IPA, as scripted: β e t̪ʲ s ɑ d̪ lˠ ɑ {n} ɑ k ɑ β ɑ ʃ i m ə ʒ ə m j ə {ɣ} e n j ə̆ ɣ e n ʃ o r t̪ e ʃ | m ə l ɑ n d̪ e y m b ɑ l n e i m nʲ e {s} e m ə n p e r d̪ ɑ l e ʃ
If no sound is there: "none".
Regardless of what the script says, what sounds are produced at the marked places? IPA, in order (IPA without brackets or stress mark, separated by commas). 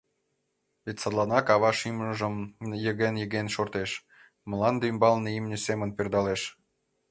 n, ɣ, s